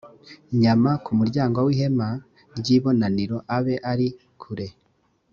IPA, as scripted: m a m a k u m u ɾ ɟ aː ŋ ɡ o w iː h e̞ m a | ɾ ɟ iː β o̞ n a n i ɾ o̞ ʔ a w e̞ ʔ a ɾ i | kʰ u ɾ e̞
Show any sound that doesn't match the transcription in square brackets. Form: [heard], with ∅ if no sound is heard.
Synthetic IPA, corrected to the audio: [ɲ] a m a k u m u ɾ ɟ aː ŋ ɡ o w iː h e̞ m a | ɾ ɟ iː β o̞ n a n i ɾ o̞ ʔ a [β] e̞ ʔ a ɾ i | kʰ u ɾ e̞